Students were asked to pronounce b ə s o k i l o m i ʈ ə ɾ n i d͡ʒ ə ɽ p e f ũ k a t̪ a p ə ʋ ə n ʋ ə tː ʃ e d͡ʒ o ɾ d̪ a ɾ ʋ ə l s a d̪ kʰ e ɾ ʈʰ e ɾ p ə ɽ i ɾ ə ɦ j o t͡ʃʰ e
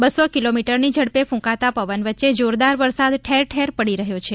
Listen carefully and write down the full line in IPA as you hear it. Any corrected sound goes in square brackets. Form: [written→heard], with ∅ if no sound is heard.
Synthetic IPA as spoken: b ə s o k i l o m i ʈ ə ɾ n i d͡ʒ ə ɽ p e f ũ k a t̪ a p ə ʋ ə n ʋ ə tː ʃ e d͡ʒ o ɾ d̪ a ɾ ʋ ə [l→ɾ] s a d̪ [kʰ→ʈʰ] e ɾ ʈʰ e ɾ p ə ɽ i ɾ ə ɦ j o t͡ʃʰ e